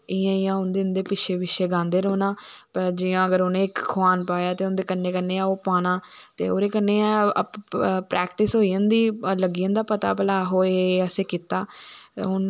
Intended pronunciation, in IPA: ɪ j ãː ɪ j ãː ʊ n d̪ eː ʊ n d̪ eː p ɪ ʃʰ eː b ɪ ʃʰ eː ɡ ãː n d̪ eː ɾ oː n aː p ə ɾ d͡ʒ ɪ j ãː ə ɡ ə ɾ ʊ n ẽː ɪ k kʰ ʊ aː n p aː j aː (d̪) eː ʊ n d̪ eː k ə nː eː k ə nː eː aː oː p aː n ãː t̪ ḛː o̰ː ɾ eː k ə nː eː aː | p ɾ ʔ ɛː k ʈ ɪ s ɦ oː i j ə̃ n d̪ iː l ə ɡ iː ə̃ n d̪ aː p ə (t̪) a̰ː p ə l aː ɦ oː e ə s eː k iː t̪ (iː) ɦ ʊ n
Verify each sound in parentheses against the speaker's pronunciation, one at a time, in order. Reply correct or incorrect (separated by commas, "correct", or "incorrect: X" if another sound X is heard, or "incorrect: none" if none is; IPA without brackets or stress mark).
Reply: incorrect: t̪, correct, incorrect: aː